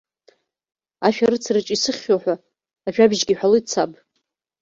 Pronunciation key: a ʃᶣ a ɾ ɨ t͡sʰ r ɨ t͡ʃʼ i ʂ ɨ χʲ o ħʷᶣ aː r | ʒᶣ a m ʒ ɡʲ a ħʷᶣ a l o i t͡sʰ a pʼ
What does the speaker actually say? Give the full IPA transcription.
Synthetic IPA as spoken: a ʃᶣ a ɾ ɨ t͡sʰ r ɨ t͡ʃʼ i s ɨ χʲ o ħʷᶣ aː | ʒᶣ a b ʒ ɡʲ i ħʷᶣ a l o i t͡sʰ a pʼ